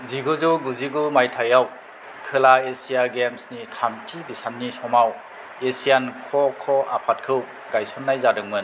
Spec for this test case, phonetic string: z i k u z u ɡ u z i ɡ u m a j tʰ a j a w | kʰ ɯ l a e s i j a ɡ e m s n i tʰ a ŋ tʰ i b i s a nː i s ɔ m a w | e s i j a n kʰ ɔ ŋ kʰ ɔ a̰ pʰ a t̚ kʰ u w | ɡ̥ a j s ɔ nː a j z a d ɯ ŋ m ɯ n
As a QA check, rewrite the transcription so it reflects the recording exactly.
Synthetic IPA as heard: z i ɡ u z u ɡ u z i ɡ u m a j tʰ a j a w | kʰ ɯ l a e s i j a ɡ e m s n i tʰ a m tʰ i b i s a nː i s ɔ m a w | e s i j a n kʰ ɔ kʰ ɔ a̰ pʰ a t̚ kʰ ɯ w | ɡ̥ a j s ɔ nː a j z a d ɯ ŋ m ɯ n